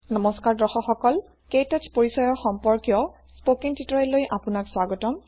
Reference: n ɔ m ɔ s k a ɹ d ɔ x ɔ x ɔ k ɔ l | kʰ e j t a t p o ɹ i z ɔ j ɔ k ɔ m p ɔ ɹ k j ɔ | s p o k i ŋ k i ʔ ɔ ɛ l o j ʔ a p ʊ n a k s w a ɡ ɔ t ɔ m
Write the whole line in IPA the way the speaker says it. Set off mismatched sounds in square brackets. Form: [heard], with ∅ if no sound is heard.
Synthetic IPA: n ɔ m ɔ s k a ɹ d ɔ x ɔ x ɔ k ɔ l | [k] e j t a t p o ɹ i [s] ɔ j ɔ [x] ɔ m p ɔ ɹ k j ɔ | s p o k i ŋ [t] i [t] ɔ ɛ l o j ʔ a p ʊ n a k s w a ɡ ɔ t ɔ m